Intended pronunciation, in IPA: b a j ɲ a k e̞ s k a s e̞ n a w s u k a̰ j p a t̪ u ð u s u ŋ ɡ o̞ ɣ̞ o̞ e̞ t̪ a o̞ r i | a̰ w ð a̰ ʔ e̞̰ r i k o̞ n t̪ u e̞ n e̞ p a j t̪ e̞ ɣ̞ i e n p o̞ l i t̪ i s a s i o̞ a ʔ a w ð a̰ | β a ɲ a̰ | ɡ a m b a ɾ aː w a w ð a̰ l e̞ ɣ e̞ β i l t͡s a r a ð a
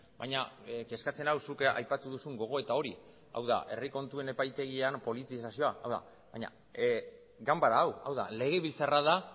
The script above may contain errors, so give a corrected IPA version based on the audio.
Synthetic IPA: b a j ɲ a k e̞ s k a t͡s e̞ n a w s u k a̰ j p a t̪ u ð u s u ŋ ɡ o̞ ɣ̞ o̞ e̞ t̪ a o̞ ɾ i | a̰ w ð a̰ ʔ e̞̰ r i k o̞ n t̪ u e̞ n e̞ p a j t̪ e̞ ɣ̞ i a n p o̞ l i t̪ i s a s i o̞ a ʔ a w ð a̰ | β a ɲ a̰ | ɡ a m b a ɾ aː w a w ð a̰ l e̞ ɣ e̞ β i l t͡s a r a ð a